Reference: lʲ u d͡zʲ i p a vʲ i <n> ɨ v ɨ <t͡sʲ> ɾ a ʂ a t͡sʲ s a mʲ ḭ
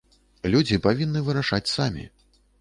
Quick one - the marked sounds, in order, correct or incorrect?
incorrect: nː, incorrect: none

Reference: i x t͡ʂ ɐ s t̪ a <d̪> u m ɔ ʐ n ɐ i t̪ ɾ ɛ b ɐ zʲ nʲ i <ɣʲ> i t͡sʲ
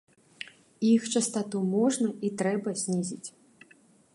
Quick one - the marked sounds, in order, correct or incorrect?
incorrect: t̪, incorrect: zʲ

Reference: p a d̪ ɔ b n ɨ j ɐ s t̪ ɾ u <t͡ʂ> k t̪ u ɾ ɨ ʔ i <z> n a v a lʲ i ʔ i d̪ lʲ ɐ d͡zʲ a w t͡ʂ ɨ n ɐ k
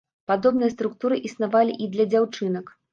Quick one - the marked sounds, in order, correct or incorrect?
incorrect: none, incorrect: s

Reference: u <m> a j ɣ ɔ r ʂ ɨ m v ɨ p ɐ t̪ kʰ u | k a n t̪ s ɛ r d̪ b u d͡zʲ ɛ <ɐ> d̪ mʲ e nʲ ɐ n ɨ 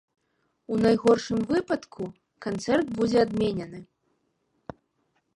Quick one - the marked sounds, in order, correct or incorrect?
incorrect: n, incorrect: a

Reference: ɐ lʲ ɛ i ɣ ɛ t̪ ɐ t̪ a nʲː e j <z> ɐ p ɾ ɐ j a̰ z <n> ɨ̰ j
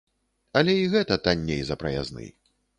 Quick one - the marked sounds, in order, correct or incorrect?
correct, correct

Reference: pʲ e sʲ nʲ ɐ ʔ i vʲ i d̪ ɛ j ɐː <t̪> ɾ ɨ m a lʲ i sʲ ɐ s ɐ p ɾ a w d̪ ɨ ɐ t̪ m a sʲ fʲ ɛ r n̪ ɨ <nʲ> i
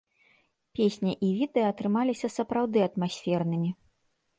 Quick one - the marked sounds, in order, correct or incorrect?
correct, incorrect: mʲ

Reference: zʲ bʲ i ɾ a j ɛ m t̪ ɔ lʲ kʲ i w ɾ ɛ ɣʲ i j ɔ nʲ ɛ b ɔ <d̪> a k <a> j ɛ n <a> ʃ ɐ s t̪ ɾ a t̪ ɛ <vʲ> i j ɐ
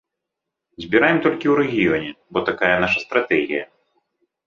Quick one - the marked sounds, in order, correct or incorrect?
incorrect: t̪, correct, correct, incorrect: ɣʲ

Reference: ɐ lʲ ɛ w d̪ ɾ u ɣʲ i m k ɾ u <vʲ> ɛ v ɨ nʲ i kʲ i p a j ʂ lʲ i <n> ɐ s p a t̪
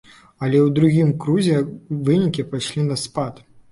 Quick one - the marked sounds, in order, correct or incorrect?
incorrect: zʲ, correct

